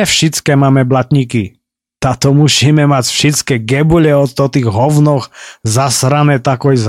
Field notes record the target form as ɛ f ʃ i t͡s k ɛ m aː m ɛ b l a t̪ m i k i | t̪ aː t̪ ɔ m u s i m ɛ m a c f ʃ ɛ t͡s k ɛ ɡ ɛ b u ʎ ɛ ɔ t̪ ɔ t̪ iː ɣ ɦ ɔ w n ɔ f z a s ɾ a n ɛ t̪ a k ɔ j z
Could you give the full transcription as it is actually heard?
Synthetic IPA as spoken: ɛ f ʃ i t͡s k ɛ m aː m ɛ b l a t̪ ɲ i k i | t̪ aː t̪ ɔ m u s i m ɛ m a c f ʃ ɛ t͡s k ɛ ɡ ɛ b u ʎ ɛ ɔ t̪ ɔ t̪ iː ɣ ɦ ɔ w n ɔ x z a s ɾ a n ɛ t̪ a k ɔ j z